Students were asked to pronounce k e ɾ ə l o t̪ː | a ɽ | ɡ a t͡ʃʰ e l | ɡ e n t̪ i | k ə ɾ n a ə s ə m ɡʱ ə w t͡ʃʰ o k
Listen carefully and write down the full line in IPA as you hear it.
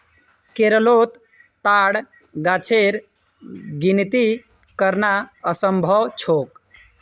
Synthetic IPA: k e ɾ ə l o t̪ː | a ɽ | ɡ a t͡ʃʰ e ɾ | ɡ i n t̪ i | k ə ɾ n a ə s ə m bʱ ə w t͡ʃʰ o k